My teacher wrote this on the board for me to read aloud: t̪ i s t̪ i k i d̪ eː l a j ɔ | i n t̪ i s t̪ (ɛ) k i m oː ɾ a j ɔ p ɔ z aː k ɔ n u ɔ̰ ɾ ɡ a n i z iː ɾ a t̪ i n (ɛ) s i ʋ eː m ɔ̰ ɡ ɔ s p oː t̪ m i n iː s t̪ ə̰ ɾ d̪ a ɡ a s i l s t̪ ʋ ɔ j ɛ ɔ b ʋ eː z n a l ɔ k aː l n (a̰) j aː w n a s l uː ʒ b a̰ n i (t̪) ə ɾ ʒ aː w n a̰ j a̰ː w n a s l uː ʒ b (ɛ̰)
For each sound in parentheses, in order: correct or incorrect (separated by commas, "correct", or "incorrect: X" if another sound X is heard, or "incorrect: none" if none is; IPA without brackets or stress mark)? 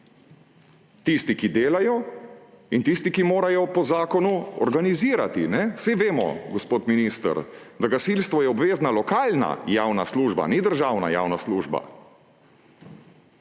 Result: incorrect: i, correct, correct, incorrect: d̪, incorrect: a̰